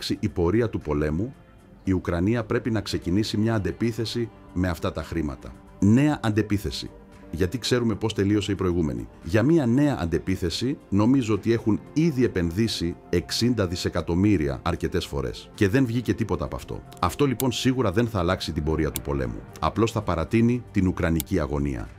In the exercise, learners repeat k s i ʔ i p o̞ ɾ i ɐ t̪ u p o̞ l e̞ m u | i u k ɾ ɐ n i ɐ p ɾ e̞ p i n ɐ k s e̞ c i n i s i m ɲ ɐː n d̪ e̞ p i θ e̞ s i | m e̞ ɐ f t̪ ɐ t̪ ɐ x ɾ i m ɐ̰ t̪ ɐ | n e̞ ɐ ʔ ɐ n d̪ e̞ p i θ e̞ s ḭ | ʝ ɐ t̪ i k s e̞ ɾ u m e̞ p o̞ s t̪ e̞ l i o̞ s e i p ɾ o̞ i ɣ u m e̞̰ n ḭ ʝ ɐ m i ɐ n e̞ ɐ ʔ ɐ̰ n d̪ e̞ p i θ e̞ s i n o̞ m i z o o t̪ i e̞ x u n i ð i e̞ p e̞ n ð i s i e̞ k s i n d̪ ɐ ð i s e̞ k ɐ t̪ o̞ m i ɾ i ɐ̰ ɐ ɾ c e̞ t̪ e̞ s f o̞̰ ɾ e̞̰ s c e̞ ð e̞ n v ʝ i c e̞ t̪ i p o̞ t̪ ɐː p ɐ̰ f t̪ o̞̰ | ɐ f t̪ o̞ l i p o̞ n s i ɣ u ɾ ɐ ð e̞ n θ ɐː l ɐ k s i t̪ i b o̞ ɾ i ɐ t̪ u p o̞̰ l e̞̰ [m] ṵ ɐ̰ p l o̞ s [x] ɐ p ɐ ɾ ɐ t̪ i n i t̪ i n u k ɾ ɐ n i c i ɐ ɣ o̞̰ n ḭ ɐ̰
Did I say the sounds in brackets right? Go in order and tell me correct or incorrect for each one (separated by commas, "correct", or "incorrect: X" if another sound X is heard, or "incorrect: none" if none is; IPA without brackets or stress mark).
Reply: correct, incorrect: θ